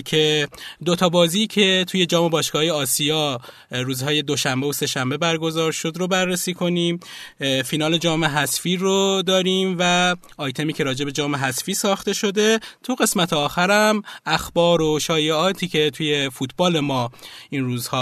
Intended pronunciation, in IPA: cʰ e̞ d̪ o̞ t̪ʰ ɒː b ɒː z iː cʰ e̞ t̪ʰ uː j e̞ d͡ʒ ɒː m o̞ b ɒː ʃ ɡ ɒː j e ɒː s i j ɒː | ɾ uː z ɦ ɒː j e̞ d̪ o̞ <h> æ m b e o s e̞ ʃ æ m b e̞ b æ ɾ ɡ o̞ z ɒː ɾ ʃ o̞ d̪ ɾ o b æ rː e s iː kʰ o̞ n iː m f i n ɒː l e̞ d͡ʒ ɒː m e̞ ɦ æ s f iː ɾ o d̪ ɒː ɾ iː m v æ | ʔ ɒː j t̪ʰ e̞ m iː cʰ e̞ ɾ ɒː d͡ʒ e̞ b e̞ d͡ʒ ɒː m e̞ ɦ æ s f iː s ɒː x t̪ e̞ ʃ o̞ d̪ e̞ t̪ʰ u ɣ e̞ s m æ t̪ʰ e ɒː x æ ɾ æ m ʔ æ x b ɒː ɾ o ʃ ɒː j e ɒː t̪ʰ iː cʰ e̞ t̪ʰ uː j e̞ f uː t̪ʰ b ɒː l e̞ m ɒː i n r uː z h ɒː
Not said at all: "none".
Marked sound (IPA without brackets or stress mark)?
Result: ʃ